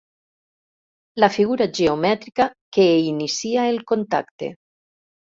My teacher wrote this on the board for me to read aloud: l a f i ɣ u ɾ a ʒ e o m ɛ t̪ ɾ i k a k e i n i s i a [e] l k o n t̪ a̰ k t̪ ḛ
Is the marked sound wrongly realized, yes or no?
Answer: no